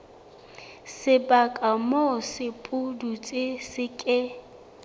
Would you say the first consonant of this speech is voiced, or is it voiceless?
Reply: voiceless